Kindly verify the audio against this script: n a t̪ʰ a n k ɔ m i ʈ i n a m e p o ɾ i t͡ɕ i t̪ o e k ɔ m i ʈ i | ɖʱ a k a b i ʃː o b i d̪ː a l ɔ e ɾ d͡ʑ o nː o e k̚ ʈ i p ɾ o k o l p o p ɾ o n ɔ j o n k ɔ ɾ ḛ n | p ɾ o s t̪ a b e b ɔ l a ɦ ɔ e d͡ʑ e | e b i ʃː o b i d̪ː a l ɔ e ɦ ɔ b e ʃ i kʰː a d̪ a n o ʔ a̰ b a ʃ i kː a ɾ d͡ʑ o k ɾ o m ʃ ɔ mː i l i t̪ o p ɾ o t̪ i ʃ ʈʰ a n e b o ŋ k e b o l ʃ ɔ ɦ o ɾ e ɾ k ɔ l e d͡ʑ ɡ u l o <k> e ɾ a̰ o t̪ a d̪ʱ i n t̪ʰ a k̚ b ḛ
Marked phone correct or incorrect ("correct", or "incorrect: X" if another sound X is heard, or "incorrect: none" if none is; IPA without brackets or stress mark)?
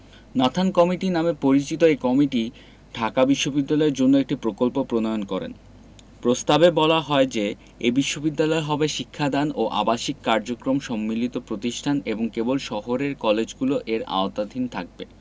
incorrect: ʔ